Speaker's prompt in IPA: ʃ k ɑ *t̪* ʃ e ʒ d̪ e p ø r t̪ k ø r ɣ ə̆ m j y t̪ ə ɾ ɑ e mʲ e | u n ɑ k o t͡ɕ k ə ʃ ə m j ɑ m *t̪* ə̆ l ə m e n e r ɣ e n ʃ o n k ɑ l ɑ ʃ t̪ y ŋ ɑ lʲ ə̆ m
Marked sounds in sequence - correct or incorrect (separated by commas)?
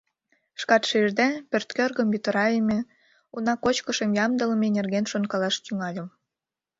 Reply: correct, incorrect